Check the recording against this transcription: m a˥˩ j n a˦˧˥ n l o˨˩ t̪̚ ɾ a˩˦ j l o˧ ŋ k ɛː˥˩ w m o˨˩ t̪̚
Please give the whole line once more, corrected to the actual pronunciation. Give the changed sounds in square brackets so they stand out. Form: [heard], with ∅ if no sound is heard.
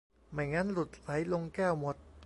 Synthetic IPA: m [a˨˩] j [ŋ] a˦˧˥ n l [u˨˩] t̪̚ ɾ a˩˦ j l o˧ ŋ k ɛː˥˩ w m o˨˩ t̪̚